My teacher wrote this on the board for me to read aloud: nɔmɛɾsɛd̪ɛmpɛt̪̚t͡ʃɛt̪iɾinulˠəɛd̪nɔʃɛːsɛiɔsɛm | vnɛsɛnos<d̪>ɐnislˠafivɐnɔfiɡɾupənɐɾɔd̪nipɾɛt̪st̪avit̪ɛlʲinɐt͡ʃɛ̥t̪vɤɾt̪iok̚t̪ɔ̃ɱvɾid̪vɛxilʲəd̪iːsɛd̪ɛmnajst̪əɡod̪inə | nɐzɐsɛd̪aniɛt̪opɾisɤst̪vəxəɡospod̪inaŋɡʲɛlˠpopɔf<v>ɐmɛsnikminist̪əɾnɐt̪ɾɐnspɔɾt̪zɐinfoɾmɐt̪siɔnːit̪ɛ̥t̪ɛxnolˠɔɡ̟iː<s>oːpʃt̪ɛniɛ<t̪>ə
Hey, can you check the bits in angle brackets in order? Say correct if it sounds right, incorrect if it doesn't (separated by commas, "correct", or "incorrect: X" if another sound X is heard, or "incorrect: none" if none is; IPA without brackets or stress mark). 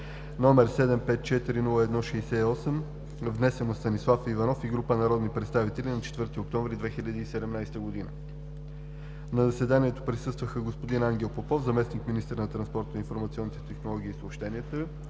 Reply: incorrect: t̪, incorrect: z, correct, correct